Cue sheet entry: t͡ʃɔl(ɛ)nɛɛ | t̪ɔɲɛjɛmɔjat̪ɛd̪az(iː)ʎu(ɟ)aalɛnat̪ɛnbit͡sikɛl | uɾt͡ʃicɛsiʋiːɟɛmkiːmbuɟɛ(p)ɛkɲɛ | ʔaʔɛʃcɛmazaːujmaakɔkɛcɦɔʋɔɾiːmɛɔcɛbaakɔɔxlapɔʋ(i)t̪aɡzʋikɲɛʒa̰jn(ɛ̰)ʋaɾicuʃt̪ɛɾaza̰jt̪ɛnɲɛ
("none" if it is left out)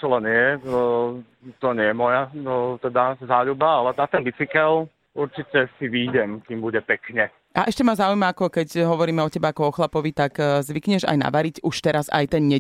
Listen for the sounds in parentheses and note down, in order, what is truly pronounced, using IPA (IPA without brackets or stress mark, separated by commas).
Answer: ɛ, aː, b, p, i, a̰